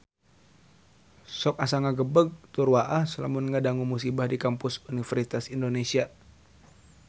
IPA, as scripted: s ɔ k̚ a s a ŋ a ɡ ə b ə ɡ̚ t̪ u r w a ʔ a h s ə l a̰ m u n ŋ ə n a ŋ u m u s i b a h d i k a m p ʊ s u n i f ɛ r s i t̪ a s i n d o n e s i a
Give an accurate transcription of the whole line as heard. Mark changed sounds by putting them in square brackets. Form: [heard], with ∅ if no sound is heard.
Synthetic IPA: s ɔ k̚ a s a ŋ a ɡ ə b ə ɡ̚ t̪ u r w a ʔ a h s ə l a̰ m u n ŋ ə [d] a ŋ u m u s i b a h d i k a m p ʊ s u n i f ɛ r s i t̪ a s i n d o n e s i a